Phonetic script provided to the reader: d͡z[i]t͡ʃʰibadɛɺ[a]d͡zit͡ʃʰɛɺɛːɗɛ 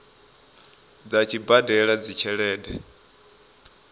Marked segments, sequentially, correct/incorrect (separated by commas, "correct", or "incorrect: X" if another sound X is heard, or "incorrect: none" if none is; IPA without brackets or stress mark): incorrect: a, correct